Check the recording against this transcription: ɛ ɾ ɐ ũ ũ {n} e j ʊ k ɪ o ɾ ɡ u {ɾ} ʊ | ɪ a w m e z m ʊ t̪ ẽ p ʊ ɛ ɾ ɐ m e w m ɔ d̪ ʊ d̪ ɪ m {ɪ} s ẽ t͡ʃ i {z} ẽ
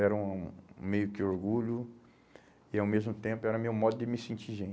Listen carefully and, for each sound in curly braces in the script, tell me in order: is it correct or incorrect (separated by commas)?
incorrect, incorrect, correct, incorrect